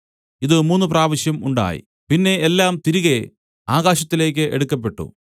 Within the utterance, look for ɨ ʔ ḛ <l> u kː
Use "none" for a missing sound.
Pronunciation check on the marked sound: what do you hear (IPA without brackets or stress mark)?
ɽ